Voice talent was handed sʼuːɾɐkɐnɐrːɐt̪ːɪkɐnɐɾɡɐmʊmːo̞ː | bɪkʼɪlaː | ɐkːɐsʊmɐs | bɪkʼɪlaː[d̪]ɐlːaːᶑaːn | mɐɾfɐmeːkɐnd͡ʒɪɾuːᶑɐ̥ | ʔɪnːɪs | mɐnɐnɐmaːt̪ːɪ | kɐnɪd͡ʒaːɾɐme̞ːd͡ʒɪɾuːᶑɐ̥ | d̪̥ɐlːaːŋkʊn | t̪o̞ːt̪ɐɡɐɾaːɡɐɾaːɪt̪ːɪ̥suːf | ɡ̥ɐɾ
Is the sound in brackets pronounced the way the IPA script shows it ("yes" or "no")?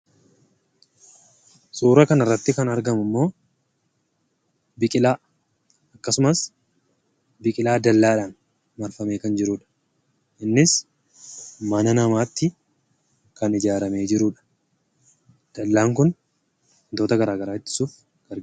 yes